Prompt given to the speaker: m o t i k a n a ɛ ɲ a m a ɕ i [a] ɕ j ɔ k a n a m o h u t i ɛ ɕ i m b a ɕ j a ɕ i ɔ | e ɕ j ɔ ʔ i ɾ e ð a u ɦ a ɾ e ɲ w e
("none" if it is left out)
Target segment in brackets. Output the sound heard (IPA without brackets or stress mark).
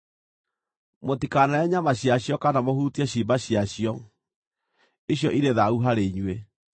a